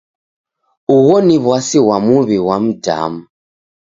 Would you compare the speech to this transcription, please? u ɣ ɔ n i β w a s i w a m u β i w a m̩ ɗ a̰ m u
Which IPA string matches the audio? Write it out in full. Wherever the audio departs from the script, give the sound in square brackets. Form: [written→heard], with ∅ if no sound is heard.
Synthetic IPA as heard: u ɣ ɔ n i β w a s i w a m u β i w a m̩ [ɗ→d] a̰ m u